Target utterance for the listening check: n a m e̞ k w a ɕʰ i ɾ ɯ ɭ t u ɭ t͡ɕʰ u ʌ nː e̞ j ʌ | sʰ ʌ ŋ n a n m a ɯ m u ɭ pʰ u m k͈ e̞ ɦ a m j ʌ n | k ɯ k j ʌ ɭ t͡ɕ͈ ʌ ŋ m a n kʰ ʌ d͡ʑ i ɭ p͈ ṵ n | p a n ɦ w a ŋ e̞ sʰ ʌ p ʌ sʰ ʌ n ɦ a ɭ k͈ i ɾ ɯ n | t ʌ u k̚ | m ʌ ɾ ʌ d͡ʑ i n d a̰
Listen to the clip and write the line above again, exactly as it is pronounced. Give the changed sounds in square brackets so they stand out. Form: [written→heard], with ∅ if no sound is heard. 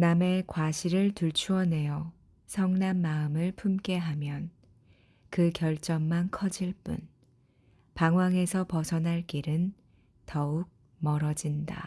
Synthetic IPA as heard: n a m e̞ k w a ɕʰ i ɾ ɯ ɭ t u ɭ t͡ɕʰ u ʌ [nː→n] e̞ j ʌ | sʰ ʌ ŋ n a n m a ɯ m [u→ɯ] ɭ pʰ u m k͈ e̞ ɦ a m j ʌ n | k ɯ k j ʌ ɭ t͡ɕ͈ ʌ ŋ m a n kʰ ʌ d͡ʑ i ɭ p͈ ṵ n | p a [n→ŋ] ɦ w a ŋ e̞ sʰ ʌ p ʌ sʰ ʌ n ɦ a ɭ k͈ i ɾ ɯ n | t ʌ u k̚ | m ʌ ɾ ʌ d͡ʑ i n d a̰